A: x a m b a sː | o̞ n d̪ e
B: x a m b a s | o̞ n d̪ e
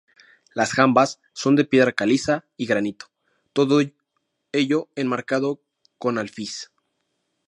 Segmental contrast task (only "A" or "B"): A